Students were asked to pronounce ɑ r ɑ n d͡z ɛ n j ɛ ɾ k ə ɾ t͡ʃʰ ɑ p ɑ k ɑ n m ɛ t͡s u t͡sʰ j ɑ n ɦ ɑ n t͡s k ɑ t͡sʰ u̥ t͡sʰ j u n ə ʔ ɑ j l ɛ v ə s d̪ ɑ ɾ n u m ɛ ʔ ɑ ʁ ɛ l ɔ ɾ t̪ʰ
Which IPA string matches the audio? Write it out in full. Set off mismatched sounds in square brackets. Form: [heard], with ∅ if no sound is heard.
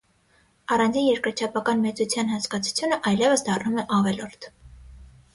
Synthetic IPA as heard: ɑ r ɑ n d͡z [i] n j ɛ ɾ k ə ɾ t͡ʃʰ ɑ p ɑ k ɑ n m ɛ t͡s u t͡sʰ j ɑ n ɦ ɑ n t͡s k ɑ t͡sʰ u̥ t͡sʰ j u n ə ʔ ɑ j l ɛ v ə s d̪ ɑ [r] n u m ɛ ʔ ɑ [v] ɛ l ɔ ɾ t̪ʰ